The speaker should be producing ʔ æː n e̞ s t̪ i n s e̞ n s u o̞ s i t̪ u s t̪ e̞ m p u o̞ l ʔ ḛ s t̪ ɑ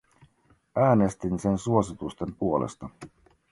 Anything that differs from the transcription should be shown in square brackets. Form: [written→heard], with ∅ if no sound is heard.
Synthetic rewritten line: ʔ æː n e̞ s t̪ i n s e̞ n s u o̞ s i t̪ u s t̪ e̞ m p u o̞ l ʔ ḛ s t̪ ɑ